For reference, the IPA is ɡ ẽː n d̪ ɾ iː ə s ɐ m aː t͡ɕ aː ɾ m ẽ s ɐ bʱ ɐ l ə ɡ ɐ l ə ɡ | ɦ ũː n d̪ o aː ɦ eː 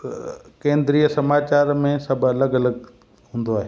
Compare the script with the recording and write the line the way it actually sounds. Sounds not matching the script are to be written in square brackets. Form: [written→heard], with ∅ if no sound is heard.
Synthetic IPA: [ɡ→k] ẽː n d̪ ɾ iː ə s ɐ m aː t͡ɕ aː ɾ m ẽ s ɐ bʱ ɐ l ə ɡ ɐ l ə ɡ | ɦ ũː n d̪ o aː ɦ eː